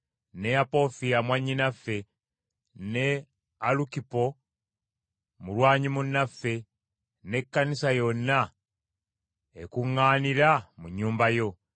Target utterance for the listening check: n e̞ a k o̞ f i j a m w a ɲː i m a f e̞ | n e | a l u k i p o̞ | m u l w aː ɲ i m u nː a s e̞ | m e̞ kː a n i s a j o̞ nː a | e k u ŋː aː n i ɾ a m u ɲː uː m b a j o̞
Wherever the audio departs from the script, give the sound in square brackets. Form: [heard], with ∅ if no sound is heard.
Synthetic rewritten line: n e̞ a [p] o̞ f i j a m w a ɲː i [n] a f e̞ | n e | a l u k i p o̞ | m u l w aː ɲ i m u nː a [f] e̞ | [n] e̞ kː a n i s a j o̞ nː a | e k u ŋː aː n i ɾ a m u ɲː uː m b a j o̞

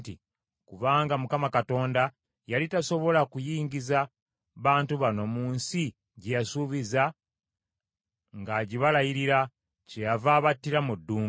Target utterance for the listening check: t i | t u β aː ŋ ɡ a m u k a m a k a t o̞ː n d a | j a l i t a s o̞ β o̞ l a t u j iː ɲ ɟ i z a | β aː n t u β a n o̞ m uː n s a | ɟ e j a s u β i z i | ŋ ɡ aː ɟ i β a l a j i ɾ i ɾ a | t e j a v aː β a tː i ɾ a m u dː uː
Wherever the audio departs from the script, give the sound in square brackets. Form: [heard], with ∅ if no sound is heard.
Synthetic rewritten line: t i | [k] u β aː ŋ ɡ a m u k a m a k a t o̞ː n d a | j a l i t a s o̞ β o̞ l a [k] u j iː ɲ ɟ i z a | β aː n t u β a n o̞ m uː n s [i] | ɟ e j a s u β i z [a] | ŋ ɡ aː ɟ i β a l a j i ɾ i ɾ a | [c] e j a v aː β a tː i ɾ a m u dː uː

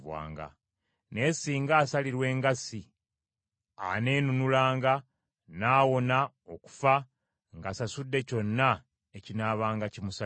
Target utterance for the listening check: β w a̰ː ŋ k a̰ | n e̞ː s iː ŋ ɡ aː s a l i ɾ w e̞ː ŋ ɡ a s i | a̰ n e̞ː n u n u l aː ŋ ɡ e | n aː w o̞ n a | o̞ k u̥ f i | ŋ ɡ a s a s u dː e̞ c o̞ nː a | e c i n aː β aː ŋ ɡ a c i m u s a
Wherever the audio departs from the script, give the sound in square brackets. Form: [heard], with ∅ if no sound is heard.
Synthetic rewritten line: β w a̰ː ŋ [ɡ] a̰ | n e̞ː s iː ŋ ɡ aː s a l i ɾ w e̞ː ŋ ɡ a s i | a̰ n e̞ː n u n u l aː ŋ ɡ [a] | n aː w o̞ n a | o̞ k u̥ f [a] | ŋ ɡ a s a s u dː e̞ c o̞ nː a | e c i n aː β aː ŋ ɡ a c i m u s a

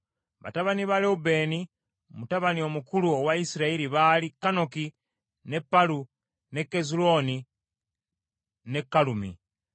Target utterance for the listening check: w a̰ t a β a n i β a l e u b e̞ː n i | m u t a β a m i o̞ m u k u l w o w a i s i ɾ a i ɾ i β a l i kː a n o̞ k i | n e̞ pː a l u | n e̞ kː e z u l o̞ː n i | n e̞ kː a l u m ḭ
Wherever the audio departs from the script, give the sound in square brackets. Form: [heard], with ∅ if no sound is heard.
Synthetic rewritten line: [β] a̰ t a β a n i β a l e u b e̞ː n i | m u t a β a [n] i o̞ m u k u l [u] o w a i s i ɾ a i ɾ i β a l i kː a n o̞ k i | n e̞ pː a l u | n e̞ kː e z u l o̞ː n i | n e̞ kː a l u m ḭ

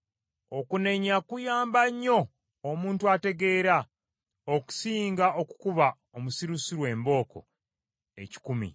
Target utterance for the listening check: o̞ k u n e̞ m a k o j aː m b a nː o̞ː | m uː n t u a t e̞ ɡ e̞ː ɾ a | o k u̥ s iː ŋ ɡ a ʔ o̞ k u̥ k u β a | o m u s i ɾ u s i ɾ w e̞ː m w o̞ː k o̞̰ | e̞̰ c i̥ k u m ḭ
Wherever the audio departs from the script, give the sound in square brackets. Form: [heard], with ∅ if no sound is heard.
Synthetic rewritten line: o̞ k u n e̞ [ɲ] a k [u] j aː m b a [ɲː] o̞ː | m uː n t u a t e̞ ɡ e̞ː ɾ a | o k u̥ s iː ŋ ɡ a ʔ o̞ k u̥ k u β a | o m u s i ɾ u s i ɾ w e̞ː m [b] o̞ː k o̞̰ | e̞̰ c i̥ k u m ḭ

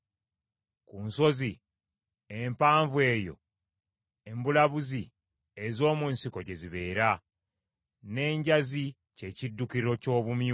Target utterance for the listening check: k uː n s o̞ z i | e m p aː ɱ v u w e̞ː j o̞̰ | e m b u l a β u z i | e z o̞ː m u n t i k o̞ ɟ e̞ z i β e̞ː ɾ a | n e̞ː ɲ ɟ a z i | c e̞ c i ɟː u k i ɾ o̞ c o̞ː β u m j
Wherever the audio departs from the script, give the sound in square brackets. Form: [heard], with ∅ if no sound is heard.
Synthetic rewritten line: k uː n s o̞ z i | e m p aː ɱ v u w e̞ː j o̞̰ | e m b u l a β u z i | e z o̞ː m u n [s] i k o̞ ɟ e̞ z i β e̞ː ɾ a | n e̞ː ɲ ɟ a z i | c e̞ c i [dː] u k i ɾ o̞ c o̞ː β u m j

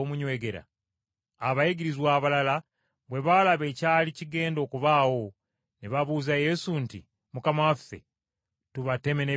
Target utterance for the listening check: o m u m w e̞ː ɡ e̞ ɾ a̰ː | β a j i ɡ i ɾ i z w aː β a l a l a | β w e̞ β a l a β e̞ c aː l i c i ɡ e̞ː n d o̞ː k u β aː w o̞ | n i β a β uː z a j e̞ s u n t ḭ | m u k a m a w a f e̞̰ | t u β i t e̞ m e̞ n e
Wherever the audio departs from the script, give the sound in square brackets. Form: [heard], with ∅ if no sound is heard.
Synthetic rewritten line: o m u [ɲ] w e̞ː ɡ e̞ ɾ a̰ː | β a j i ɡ i ɾ i z w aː β a l a l a | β w e̞ β a l a β e̞ c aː l i c i ɡ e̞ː n d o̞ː k u β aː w o̞ | n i β a β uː z a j e̞ s u n t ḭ | m u k a m a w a f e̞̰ | t u β [a] t e̞ m e̞ n e

